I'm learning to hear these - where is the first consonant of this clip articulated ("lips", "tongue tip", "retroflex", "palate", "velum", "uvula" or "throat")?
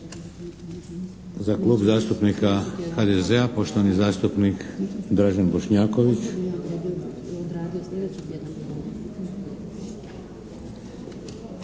tongue tip